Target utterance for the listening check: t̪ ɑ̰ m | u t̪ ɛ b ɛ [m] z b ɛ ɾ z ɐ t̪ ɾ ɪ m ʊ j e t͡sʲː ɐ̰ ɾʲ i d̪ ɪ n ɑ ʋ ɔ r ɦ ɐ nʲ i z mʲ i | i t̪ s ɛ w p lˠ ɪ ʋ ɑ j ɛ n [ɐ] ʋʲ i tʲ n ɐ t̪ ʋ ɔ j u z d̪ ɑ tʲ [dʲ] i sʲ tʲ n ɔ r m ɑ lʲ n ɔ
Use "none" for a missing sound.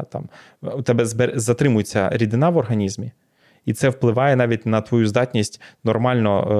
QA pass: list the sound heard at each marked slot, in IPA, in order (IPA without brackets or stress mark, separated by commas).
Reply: none, ɑ, nʲ